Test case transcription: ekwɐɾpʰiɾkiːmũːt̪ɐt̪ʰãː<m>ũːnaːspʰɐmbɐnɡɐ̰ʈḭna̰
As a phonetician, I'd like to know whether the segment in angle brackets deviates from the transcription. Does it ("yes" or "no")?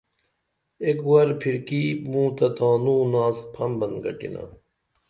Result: yes